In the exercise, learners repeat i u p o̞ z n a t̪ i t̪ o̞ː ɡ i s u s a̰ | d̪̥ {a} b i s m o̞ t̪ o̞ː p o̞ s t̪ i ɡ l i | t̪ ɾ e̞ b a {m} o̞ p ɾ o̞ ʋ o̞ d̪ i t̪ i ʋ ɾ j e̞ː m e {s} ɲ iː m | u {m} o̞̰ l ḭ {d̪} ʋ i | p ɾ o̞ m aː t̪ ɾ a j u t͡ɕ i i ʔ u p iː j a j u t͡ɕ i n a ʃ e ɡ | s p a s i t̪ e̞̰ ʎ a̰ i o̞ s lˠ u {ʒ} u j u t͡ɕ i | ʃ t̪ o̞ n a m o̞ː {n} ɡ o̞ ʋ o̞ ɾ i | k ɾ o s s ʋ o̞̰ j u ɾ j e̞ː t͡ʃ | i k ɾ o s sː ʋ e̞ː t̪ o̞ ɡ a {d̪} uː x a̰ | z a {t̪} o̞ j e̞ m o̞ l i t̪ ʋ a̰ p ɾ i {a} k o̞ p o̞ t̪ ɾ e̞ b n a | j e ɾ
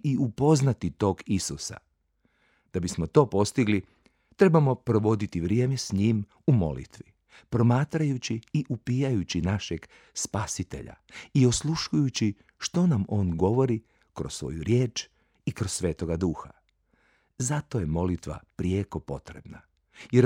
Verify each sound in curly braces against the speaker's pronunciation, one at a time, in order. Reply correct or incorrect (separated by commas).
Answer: correct, correct, correct, correct, incorrect, incorrect, correct, correct, correct, incorrect